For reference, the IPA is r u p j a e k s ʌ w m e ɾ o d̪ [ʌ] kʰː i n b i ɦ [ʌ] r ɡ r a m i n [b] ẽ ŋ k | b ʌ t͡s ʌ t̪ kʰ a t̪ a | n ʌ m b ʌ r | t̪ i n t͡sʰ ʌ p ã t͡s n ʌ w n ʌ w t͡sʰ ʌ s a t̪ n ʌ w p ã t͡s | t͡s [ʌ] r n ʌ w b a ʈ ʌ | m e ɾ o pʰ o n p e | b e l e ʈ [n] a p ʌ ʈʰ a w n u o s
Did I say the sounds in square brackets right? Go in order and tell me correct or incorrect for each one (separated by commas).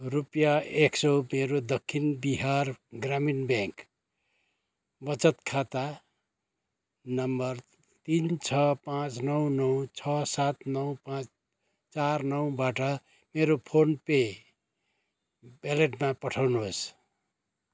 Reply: correct, incorrect, correct, incorrect, incorrect